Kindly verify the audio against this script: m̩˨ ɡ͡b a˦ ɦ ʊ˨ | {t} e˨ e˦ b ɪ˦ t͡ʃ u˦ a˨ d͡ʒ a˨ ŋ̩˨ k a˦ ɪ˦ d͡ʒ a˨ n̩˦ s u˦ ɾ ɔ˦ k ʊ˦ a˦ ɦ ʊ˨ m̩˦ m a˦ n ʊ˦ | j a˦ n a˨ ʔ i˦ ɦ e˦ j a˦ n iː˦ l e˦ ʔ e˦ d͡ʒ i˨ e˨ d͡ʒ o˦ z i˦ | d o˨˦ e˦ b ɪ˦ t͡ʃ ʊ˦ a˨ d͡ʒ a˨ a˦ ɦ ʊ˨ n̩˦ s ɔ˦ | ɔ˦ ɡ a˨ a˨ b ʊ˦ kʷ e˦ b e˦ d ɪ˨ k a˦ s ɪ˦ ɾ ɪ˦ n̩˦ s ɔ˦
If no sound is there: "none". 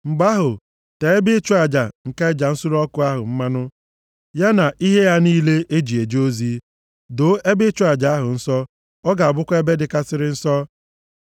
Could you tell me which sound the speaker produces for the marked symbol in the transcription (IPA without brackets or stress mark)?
t